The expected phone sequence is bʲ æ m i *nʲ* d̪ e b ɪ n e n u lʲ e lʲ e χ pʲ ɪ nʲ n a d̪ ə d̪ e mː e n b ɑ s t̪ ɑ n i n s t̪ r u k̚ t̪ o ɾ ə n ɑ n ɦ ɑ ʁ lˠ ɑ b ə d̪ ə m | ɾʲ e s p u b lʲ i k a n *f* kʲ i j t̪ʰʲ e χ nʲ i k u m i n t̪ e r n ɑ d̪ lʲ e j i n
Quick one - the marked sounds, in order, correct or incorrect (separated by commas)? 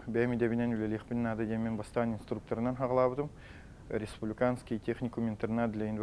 incorrect, incorrect